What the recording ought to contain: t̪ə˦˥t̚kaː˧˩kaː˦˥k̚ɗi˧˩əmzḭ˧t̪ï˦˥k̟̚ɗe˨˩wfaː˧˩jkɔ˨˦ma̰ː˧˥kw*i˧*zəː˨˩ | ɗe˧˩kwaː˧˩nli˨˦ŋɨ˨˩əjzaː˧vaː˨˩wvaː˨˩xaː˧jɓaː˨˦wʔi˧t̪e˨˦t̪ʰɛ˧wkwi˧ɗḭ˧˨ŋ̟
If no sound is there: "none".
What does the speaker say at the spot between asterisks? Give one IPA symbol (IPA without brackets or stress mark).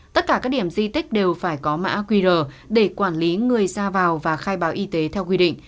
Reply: i˧